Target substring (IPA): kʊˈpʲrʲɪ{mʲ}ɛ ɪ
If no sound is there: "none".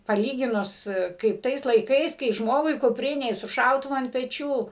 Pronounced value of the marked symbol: nʲ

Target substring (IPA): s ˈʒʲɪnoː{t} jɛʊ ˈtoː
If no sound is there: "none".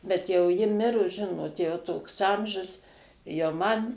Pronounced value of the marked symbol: t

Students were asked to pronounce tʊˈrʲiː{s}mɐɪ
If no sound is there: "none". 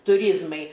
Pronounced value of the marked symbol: z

